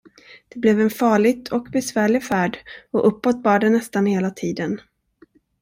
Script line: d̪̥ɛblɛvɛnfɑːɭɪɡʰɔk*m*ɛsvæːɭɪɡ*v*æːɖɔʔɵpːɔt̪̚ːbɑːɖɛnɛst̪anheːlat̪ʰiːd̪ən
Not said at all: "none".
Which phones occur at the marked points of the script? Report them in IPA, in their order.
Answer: b, f

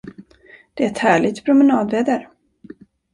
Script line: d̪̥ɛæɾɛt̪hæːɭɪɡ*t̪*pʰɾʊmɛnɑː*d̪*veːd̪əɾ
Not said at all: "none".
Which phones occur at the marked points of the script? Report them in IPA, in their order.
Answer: t̪, d̪

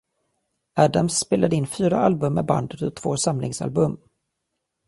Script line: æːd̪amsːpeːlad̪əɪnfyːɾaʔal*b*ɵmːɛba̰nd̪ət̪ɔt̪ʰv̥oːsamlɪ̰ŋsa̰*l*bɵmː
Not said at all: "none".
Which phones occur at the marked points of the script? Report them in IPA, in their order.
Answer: b, l

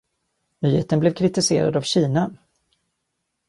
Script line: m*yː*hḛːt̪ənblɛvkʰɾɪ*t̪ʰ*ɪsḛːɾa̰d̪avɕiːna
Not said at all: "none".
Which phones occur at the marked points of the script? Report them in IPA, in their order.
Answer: yː, t̪

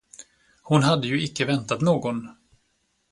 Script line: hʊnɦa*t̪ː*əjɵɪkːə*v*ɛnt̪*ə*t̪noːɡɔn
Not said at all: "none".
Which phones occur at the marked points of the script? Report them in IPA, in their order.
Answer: d̪ː, v, a

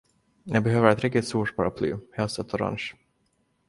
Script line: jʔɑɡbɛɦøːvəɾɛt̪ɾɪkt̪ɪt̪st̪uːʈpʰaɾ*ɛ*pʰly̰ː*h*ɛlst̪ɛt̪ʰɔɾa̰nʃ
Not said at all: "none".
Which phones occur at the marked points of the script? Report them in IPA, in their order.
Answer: a, h

